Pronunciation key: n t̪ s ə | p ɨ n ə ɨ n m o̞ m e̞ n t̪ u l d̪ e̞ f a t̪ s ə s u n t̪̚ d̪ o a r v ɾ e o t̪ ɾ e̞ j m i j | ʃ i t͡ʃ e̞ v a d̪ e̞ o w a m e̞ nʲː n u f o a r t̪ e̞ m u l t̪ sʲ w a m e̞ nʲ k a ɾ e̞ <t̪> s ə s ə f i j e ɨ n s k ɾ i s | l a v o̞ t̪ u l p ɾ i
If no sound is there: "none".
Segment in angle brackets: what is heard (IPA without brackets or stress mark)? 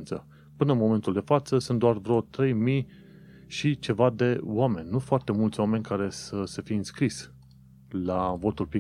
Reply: none